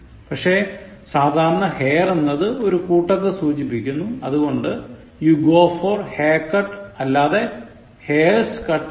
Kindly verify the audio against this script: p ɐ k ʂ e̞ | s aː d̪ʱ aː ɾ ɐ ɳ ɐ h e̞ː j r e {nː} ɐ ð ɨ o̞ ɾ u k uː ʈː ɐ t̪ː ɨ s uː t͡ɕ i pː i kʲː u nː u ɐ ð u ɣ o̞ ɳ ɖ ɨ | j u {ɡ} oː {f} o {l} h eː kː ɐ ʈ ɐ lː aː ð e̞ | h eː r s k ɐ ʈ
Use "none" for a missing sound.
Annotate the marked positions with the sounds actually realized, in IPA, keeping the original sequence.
nː, ɡ, f, r

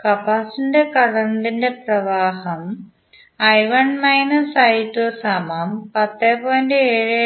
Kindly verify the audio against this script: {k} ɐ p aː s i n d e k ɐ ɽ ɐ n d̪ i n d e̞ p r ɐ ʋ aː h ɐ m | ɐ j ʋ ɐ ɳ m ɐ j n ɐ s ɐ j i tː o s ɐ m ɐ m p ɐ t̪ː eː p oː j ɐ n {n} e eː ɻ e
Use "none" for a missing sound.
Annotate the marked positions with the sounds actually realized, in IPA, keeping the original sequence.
k, d

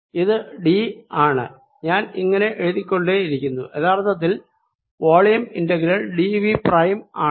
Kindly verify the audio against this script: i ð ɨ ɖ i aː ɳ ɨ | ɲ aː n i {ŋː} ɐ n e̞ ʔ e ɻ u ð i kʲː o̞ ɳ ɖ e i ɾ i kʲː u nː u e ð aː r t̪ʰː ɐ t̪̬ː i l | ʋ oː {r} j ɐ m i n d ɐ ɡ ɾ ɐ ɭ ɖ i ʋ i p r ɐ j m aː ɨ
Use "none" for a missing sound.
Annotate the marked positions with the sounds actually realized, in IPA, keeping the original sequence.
ŋː, ɭ

